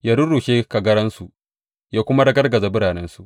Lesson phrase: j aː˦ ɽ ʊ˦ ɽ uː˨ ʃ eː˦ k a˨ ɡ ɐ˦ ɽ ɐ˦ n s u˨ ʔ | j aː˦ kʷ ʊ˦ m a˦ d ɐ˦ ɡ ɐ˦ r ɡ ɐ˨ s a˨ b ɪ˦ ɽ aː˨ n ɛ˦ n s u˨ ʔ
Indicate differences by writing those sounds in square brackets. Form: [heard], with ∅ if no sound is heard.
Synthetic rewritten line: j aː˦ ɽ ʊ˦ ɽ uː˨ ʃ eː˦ k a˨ ɡ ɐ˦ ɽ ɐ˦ n s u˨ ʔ | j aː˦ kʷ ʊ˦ m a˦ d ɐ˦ ɡ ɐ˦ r ɡ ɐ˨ [z] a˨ b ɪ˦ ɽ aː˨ n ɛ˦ n s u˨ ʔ